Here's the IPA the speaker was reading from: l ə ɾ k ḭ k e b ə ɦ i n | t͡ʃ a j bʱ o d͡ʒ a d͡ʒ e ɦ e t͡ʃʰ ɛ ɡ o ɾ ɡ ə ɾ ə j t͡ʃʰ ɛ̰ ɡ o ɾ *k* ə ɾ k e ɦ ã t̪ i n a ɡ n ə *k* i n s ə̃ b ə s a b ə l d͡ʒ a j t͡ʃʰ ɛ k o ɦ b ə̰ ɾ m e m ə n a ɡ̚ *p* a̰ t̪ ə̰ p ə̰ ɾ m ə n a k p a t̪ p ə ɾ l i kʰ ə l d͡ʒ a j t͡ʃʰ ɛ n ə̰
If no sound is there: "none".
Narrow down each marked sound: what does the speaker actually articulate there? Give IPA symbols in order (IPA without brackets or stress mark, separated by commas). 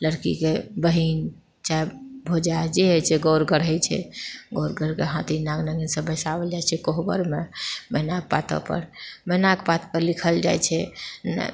ɡ, ɡ, p